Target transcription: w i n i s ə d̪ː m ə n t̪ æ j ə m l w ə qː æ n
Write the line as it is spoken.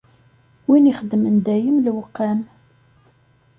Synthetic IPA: w i n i χ ə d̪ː m ə n d̪ æ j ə m l w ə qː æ n